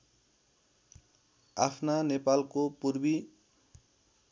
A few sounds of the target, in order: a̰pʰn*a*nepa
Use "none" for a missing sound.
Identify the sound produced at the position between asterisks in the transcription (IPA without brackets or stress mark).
a